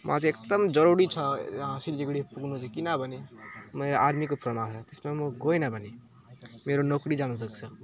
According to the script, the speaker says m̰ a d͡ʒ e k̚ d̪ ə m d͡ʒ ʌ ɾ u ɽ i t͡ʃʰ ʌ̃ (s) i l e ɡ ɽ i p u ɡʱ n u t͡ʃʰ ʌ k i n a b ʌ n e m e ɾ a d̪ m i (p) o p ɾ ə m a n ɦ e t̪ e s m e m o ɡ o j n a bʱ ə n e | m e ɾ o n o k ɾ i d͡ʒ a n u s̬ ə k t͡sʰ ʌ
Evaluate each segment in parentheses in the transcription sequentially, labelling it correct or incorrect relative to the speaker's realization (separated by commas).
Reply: correct, incorrect